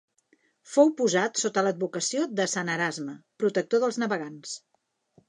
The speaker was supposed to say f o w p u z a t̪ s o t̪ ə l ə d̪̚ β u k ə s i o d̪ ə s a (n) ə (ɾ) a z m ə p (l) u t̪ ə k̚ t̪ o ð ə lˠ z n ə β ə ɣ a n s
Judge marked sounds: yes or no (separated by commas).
yes, yes, no